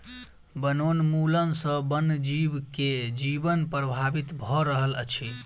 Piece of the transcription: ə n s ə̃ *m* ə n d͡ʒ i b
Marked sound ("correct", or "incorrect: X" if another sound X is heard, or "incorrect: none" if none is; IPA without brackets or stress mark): incorrect: b